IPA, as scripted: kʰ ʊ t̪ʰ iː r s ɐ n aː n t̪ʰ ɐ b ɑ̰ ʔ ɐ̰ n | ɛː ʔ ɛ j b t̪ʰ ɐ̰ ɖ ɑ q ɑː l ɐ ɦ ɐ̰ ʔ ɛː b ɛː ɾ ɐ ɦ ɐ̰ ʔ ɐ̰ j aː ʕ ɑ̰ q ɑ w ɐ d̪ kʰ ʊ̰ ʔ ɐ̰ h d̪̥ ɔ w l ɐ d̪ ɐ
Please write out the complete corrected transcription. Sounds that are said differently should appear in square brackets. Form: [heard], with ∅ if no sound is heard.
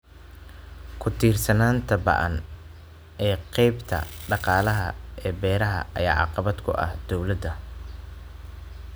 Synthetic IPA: kʰ ʊ t̪ʰ iː r s ɐ n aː n t̪ʰ ɐ b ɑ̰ ʔ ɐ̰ n | ɛː [q] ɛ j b t̪ʰ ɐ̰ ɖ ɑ q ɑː l ɐ ɦ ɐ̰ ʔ ɛː b ɛː ɾ ɐ ɦ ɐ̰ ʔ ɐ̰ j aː ʕ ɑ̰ q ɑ [β] ɐ d̪ kʰ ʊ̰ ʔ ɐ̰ h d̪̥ ɔ w l ɐ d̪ ɐ